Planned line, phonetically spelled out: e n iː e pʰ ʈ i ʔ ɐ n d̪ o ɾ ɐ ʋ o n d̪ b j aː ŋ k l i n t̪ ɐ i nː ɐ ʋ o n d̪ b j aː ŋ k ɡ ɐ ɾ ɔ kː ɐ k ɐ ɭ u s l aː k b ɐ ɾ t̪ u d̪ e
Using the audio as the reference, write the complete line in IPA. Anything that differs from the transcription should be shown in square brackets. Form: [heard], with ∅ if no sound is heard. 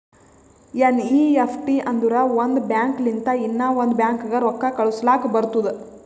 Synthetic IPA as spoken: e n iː e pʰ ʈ i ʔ ɐ n d̪ [u] ɾ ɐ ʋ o n d̪ b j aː ŋ k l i n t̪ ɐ i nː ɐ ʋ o n d̪ b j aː ŋ k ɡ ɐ ɾ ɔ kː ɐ k ɐ ɭ u s l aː k b ɐ ɾ t̪ u d̪ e